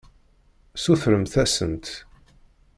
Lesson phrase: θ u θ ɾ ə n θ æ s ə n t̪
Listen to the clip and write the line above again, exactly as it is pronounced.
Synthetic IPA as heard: s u θ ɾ ə m θ æ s ə n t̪